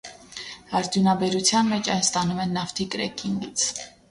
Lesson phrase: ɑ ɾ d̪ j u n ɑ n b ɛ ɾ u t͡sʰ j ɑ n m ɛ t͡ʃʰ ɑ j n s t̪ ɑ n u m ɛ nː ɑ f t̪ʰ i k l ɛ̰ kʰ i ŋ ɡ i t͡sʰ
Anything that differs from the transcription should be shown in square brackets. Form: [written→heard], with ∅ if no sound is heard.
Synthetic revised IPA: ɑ ɾ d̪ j u n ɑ [n→∅] b ɛ ɾ u t͡sʰ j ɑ n m ɛ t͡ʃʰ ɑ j n s t̪ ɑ n u m ɛ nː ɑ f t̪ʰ i k [l→ɾ] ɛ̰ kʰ i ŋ ɡ i t͡sʰ